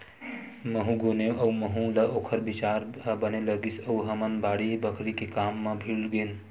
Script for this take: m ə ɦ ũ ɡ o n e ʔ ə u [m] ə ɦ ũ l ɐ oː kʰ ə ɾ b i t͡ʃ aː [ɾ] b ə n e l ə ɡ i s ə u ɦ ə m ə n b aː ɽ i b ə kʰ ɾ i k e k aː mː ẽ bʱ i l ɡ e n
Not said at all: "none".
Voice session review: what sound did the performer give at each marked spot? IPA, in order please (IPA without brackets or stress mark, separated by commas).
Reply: m, ɾ